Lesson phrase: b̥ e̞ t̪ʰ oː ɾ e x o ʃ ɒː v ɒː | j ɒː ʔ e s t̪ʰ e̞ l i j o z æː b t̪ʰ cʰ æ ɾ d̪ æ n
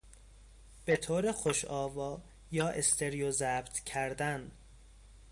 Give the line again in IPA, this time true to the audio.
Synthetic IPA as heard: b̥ e̞ t̪ʰ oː ɾ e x o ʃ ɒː v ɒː | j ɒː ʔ e s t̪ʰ e̞ ɾ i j o z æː b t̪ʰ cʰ æ ɾ d̪ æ n

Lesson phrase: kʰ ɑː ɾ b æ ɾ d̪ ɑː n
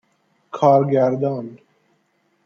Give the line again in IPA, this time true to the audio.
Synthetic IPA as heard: kʰ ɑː ɾ ɡ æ ɾ d̪ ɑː n

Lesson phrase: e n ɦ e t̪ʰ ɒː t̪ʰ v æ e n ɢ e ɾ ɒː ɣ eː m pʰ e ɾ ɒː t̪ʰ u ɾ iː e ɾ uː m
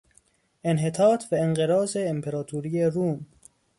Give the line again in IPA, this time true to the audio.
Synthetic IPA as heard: e n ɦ e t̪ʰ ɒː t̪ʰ v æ e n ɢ e ɾ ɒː z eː m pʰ e ɾ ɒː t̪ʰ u ɾ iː e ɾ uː m

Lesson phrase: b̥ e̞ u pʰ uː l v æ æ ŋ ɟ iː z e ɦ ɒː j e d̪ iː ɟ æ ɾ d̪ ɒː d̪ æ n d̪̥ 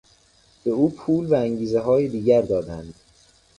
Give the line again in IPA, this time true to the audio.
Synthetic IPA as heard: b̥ e̞ uː pʰ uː l v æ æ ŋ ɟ iː z e ɦ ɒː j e d̪ iː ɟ æ ɾ d̪ ɒː d̪ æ n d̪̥

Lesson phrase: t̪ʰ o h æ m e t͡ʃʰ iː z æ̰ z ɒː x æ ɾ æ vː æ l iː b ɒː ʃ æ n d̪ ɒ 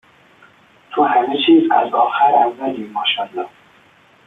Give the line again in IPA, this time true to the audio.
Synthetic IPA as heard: t̪ʰ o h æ m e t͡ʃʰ iː z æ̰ z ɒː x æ ɾ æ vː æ l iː m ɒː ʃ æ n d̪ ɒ

